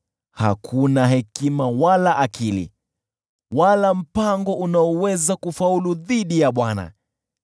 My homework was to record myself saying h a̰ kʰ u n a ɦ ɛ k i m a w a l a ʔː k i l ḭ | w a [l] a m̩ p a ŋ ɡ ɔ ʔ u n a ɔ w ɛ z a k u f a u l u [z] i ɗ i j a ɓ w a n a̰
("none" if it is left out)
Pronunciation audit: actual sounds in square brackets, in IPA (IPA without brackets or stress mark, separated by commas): l, ð